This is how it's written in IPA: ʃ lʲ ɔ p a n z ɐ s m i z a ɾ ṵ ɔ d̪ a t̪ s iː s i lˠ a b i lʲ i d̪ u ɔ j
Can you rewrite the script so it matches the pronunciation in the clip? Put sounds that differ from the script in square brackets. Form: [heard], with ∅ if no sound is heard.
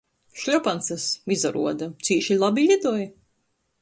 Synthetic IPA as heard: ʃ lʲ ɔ p a n [s] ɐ s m i z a ɾ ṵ ɔ d̪ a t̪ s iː [ʃ] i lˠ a b i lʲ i d̪ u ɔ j